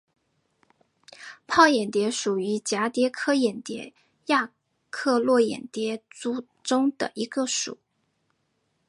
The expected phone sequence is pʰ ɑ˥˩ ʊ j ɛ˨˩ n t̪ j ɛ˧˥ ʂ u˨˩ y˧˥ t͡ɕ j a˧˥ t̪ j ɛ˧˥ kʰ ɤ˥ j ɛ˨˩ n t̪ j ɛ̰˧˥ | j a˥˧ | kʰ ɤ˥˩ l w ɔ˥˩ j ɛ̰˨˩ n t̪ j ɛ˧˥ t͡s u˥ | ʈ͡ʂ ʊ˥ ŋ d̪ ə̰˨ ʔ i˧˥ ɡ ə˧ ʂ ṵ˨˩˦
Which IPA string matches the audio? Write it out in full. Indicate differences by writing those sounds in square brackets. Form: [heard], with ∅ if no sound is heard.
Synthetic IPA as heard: pʰ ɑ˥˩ ʊ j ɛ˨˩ n t̪ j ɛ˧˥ ʂ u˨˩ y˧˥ t͡ɕ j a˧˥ t̪ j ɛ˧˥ kʰ ɤ˥ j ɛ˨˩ n t̪ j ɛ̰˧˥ | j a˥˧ | kʰ [ɤ˥˧] l w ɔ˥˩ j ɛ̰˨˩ n t̪ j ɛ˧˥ t͡s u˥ | ʈ͡ʂ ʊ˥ ŋ d̪ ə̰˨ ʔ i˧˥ ɡ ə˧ ʂ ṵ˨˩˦